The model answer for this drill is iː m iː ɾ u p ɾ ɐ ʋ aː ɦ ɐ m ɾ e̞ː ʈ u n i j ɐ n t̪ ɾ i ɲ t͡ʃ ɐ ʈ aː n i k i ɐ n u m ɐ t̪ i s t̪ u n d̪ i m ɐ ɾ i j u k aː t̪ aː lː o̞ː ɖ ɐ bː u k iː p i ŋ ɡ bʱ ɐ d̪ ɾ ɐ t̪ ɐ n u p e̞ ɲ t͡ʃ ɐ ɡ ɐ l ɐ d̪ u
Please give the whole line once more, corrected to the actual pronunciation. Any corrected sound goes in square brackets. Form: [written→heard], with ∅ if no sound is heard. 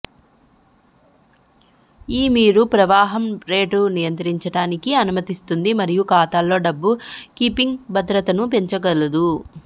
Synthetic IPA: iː m iː ɾ u p ɾ ɐ ʋ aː ɦ ɐ m ɾ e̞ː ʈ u n i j ɐ n t̪ ɾ i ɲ t͡ʃ ɐ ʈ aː n i k i ɐ n u m ɐ t̪ i s t̪ u n d̪ i m ɐ ɾ i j u k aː t̪ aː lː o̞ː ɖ ɐ bː u k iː p i ŋ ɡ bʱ ɐ d̪ ɾ ɐ t̪ ɐ n u p e̞ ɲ t͡ʃ ɐ ɡ ɐ l ɐ d̪ u

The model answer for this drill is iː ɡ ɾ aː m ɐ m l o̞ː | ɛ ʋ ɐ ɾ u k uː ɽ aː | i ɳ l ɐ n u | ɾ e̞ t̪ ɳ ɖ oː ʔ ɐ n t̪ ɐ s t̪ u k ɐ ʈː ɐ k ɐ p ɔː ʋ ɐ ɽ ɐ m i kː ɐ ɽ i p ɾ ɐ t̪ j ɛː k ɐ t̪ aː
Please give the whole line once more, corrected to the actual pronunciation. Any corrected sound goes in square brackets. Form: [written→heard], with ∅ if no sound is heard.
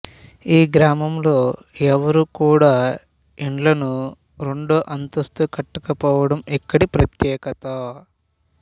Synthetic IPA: iː ɡ ɾ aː m ɐ m l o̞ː | ɛ ʋ ɐ ɾ u k uː ɽ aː | i ɳ l ɐ n u | ɾ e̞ [t̪→∅] ɳ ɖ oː ʔ ɐ n t̪ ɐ s t̪ u k ɐ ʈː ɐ k ɐ p ɔː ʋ ɐ ɽ ɐ m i kː ɐ ɽ i p ɾ ɐ t̪ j ɛː k ɐ t̪ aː

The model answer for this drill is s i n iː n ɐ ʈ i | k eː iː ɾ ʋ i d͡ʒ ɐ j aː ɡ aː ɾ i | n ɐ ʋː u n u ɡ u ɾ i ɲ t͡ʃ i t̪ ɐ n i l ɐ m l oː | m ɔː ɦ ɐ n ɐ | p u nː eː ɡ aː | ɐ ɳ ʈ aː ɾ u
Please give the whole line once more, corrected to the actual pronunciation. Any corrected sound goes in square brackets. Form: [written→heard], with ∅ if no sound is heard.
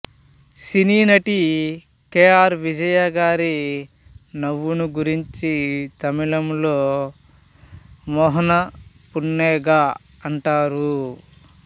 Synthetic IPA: s i n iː n ɐ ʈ i | k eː [iː→aː] ɾ ʋ i d͡ʒ ɐ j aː ɡ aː ɾ i | n ɐ ʋː u n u ɡ u ɾ i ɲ t͡ʃ i t̪ ɐ [n→m] i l ɐ m l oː | m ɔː ɦ ɐ n ɐ | p u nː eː ɡ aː | ɐ ɳ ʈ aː ɾ u

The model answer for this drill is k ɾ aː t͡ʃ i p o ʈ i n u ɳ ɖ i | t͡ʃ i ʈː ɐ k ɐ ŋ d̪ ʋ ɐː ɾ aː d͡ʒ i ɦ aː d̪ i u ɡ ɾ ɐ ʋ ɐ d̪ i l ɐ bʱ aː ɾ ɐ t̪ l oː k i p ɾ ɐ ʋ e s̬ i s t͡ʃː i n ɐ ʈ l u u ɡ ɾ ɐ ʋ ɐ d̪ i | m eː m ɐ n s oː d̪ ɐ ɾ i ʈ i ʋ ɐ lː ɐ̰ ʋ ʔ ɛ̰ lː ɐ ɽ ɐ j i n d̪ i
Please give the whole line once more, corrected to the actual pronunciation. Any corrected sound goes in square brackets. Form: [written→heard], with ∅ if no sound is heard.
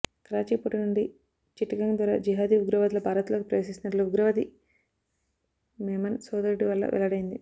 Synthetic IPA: k ɾ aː t͡ʃ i p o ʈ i n u ɳ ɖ i | t͡ʃ i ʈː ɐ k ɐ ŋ d̪ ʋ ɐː ɾ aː d͡ʒ i ɦ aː d̪ i u ɡ ɾ ɐ ʋ ɐ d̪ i l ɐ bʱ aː ɾ ɐ t̪ l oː k i p ɾ ɐ ʋ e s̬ i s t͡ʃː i n ɐ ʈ l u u ɡ ɾ ɐ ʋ ɐ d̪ i | m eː m ɐ n s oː d̪ ɐ ɾ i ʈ i ʋ ɐ lː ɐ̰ ʋ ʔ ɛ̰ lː ɐ ɽ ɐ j i n d̪ i

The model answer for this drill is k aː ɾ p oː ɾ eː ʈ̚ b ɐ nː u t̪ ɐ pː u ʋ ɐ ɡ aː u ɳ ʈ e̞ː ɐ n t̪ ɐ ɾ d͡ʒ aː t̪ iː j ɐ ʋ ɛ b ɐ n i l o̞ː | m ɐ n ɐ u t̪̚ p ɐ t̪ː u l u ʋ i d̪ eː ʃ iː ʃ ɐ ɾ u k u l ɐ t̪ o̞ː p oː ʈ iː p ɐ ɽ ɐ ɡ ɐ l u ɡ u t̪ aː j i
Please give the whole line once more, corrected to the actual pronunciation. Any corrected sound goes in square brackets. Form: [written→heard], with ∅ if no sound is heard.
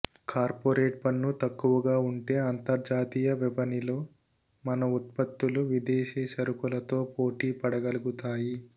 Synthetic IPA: k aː ɾ p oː ɾ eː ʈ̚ [b→p] ɐ nː u t̪ ɐ [pː→kː] u ʋ ɐ ɡ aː u ɳ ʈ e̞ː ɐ n t̪ ɐ ɾ d͡ʒ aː t̪ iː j ɐ ʋ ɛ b ɐ n i l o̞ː | m ɐ n ɐ u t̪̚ p ɐ t̪ː u l u ʋ i d̪ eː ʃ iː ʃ ɐ ɾ u k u l ɐ t̪ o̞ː p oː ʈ iː p ɐ ɽ ɐ ɡ ɐ l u ɡ u t̪ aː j i

